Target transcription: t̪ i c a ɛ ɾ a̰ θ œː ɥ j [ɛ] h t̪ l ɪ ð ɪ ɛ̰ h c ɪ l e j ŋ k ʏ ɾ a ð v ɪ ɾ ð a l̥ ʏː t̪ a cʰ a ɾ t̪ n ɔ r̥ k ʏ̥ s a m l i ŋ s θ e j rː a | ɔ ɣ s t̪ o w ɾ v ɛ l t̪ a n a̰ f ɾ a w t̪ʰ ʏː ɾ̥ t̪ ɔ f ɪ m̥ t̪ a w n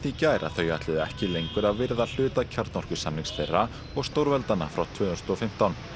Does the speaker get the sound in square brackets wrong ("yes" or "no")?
yes